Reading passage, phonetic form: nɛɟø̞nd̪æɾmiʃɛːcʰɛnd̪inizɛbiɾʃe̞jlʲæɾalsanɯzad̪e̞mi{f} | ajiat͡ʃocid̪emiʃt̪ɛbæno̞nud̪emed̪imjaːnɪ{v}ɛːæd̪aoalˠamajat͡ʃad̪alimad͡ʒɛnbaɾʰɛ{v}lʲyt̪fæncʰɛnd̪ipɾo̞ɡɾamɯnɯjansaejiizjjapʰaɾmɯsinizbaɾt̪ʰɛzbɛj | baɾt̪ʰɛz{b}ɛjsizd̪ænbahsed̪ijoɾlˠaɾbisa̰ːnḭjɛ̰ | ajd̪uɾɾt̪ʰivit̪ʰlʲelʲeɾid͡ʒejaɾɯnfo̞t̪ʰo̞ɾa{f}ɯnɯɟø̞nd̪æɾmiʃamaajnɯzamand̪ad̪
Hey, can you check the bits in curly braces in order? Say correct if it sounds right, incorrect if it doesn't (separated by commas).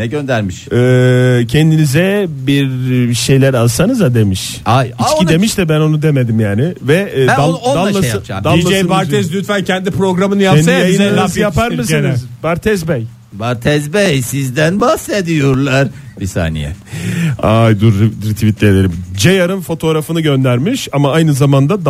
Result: incorrect, correct, incorrect, correct, correct